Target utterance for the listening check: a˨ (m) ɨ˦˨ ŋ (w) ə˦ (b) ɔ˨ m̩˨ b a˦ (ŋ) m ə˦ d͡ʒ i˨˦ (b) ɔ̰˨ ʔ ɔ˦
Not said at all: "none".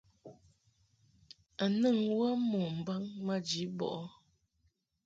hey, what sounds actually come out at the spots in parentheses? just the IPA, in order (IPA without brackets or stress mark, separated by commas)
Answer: n, w, m, ŋ, b